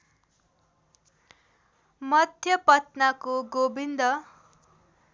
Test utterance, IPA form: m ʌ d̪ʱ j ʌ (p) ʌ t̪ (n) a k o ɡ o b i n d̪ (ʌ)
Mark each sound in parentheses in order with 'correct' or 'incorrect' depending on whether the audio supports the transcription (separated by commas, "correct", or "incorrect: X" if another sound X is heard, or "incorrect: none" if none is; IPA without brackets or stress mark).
correct, correct, correct